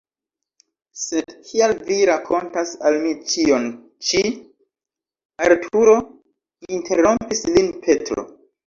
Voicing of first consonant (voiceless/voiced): voiceless